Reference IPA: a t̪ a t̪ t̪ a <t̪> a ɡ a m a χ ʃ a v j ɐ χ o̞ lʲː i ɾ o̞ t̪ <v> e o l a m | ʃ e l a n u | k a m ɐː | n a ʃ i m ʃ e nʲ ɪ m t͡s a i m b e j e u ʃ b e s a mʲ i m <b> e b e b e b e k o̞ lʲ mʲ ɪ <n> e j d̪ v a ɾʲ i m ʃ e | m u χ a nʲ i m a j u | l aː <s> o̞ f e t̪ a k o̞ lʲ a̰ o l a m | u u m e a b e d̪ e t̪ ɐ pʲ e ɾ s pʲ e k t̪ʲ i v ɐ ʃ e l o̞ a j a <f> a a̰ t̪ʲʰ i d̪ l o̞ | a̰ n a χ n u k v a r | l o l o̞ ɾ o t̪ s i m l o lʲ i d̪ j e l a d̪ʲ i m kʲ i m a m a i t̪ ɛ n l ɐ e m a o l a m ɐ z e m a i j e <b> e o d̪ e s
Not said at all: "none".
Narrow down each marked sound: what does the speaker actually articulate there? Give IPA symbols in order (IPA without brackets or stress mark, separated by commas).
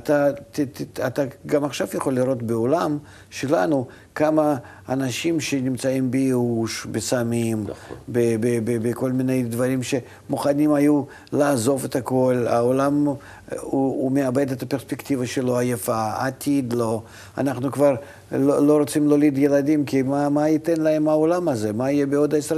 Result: t̪, b, b, n, z, f, b